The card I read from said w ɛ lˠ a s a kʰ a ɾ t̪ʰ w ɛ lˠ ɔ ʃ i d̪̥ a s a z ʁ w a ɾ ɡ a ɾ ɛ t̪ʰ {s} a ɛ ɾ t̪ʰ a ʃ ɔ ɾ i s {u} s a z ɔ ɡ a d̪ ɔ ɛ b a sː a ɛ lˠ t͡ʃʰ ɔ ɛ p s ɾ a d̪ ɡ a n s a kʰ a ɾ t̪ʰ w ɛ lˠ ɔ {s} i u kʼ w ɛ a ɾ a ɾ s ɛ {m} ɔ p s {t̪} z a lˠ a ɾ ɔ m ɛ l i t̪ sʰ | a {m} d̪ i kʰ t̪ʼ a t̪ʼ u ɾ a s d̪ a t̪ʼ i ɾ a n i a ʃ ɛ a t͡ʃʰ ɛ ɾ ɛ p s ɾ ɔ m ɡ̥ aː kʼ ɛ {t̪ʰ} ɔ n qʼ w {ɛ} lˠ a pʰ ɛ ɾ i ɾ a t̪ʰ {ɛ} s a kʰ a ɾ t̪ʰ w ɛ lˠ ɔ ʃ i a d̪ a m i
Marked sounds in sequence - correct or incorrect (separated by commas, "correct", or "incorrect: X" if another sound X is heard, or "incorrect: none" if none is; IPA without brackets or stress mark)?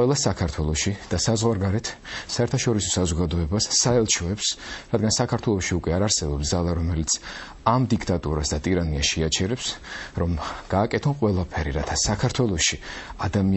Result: correct, incorrect: ɔ, incorrect: ʃ, incorrect: b, incorrect: d̪, correct, correct, correct, incorrect: a